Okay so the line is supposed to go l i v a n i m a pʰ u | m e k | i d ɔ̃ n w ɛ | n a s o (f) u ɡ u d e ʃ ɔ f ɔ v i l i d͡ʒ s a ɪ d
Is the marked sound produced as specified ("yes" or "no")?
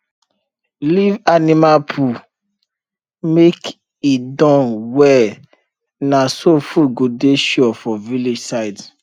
yes